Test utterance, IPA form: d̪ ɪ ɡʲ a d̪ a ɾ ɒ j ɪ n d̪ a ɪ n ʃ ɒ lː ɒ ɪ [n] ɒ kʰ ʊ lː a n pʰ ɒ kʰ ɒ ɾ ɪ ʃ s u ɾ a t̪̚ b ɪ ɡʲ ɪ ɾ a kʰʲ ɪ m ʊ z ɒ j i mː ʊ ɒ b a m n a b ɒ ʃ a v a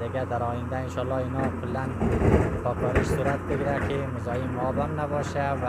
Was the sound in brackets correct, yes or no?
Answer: yes